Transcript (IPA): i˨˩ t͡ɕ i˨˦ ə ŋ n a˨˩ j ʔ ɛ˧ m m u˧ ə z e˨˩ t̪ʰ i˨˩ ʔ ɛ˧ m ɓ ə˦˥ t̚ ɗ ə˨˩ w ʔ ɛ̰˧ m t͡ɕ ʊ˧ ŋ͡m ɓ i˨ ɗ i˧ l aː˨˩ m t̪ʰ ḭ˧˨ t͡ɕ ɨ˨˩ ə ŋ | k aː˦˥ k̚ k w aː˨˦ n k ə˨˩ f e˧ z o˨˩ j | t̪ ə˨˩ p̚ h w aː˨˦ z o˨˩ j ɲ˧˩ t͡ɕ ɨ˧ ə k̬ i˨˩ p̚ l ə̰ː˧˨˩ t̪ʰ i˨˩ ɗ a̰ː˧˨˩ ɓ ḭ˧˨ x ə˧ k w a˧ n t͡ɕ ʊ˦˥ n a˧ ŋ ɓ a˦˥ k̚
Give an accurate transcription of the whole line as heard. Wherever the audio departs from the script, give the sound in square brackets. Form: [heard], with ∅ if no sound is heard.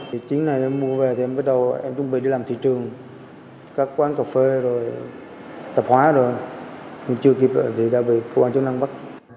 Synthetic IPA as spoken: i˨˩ t͡ɕ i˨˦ ə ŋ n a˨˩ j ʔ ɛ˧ m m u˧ ə [v] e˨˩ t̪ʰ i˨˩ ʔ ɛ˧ m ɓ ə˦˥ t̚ ɗ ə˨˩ w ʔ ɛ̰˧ m t͡ɕ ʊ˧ ŋ͡m ɓ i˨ ɗ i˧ l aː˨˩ m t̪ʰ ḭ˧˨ t͡ɕ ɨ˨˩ ə ŋ | k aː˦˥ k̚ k w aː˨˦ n k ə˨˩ f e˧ z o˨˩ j | t̪ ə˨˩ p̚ h w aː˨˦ z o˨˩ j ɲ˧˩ t͡ɕ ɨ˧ ə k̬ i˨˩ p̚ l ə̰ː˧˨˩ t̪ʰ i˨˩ ɗ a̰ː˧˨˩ ɓ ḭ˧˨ [k] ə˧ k w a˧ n t͡ɕ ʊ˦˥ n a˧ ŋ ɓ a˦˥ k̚